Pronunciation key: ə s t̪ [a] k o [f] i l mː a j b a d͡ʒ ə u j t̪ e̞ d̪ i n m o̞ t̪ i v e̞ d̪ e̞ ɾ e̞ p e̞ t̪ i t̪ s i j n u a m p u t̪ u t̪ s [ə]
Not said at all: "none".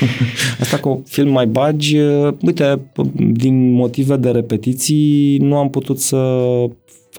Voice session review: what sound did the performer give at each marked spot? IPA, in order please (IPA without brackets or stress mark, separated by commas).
a, f, ə